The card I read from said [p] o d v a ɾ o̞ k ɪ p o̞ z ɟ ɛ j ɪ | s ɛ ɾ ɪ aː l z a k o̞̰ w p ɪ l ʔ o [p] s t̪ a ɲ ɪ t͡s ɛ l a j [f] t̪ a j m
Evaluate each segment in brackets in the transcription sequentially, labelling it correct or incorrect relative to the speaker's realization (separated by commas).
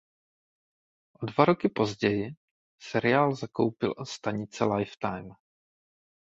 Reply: incorrect, incorrect, correct